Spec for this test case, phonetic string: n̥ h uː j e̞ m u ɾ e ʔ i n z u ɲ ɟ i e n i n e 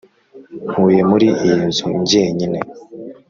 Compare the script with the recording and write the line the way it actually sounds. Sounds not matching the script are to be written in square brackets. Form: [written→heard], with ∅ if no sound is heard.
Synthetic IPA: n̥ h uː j e̞ m u ɾ [e→i] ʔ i n z u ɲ ɟ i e [n→ɲ] i n e